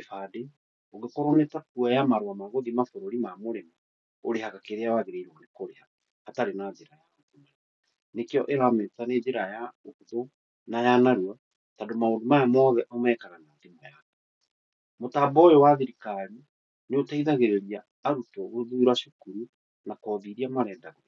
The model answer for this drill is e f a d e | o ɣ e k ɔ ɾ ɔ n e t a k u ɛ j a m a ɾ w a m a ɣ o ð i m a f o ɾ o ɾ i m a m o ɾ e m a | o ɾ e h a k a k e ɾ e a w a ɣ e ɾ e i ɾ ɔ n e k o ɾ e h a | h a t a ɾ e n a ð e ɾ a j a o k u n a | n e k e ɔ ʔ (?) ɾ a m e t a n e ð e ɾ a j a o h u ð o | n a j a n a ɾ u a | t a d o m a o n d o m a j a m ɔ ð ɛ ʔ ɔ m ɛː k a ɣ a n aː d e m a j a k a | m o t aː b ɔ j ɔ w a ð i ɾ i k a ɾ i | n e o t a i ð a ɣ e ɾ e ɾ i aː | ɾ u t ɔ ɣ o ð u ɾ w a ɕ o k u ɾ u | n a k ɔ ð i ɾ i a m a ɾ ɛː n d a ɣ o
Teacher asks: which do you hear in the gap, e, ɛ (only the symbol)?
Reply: e